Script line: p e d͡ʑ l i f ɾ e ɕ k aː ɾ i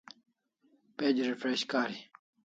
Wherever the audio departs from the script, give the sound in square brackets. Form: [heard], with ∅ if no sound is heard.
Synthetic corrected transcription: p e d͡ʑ [ɾ] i f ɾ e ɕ k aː ɾ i